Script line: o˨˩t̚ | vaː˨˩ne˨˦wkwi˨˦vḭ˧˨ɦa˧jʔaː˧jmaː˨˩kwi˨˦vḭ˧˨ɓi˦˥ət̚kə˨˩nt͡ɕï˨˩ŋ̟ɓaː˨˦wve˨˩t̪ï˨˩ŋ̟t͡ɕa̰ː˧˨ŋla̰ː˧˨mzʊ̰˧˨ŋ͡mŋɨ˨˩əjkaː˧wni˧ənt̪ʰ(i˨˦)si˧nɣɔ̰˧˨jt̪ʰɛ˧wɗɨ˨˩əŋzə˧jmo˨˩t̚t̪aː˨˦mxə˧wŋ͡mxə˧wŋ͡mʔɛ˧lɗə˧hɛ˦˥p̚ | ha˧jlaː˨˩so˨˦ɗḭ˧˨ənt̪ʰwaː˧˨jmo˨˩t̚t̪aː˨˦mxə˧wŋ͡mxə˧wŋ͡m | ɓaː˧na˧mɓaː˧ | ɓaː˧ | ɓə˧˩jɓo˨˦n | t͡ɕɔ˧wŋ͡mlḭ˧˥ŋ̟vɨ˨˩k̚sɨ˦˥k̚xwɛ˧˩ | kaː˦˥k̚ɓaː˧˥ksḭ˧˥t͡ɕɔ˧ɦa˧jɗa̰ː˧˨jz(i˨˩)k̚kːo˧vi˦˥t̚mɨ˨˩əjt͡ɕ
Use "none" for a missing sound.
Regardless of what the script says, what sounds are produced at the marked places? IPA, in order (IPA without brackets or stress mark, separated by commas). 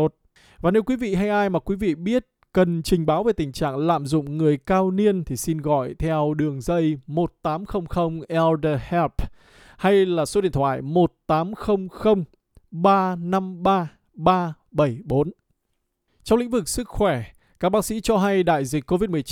i˨˩, i˨˩